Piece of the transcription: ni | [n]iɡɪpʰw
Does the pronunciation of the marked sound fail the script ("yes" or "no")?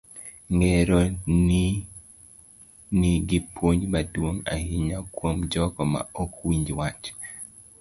no